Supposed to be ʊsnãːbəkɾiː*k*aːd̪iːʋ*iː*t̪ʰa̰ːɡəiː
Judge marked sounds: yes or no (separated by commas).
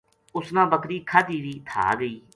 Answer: no, yes